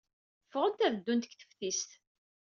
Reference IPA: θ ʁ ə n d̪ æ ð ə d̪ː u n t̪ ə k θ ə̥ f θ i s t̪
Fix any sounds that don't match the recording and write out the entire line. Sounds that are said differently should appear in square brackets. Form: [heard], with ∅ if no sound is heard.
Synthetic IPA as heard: [f] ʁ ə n [t̪] æ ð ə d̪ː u n t̪ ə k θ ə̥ f θ i s t̪